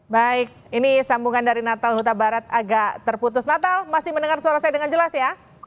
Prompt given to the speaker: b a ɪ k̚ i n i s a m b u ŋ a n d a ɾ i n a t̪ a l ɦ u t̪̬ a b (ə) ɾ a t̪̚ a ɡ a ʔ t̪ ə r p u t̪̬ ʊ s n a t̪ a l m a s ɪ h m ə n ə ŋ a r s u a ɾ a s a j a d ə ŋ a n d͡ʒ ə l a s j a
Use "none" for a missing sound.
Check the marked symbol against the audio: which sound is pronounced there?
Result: a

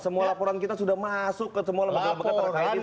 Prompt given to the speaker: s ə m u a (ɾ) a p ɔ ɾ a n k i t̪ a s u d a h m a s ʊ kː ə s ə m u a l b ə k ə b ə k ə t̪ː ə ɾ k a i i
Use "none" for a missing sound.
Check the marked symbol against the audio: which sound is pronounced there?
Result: l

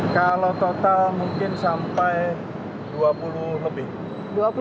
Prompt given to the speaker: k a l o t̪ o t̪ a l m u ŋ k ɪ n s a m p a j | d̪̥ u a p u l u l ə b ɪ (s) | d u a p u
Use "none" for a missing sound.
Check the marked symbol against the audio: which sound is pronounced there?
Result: h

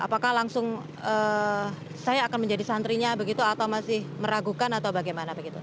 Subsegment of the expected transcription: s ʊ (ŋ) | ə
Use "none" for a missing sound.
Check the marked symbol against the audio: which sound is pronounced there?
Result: ŋ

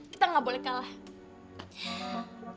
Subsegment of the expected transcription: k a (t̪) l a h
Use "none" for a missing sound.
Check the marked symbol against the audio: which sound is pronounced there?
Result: none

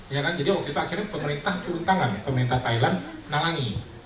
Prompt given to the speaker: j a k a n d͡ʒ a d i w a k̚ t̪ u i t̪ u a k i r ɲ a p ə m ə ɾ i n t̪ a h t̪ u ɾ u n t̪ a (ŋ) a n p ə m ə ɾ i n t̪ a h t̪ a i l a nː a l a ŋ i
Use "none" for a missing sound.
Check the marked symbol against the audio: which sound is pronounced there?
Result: ŋ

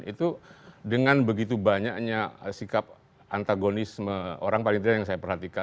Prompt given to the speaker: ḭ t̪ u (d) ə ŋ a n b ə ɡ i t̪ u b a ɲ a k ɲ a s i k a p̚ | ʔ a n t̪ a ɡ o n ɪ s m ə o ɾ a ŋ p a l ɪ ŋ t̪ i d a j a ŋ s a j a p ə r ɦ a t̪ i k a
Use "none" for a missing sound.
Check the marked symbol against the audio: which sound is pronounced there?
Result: d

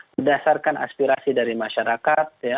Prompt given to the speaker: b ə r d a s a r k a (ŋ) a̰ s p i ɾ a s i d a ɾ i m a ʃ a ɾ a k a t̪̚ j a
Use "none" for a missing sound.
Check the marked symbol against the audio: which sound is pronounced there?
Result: n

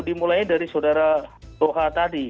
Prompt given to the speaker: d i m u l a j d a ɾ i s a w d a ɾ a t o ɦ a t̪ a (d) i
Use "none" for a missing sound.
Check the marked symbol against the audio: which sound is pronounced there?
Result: d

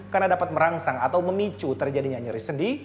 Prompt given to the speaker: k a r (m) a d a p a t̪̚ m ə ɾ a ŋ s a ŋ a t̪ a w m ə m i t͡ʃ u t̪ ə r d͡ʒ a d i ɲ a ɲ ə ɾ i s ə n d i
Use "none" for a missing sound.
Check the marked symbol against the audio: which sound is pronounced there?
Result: n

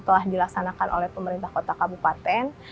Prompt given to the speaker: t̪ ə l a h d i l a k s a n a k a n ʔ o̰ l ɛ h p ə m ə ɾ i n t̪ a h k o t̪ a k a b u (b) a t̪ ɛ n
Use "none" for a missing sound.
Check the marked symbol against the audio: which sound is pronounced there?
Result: p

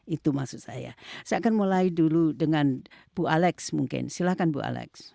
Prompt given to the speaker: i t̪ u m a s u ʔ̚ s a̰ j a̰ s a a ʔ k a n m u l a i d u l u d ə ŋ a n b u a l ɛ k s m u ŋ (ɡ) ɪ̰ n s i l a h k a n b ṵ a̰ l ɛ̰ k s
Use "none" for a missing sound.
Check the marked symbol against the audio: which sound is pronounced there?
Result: k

